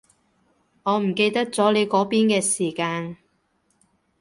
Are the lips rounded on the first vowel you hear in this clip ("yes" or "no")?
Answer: yes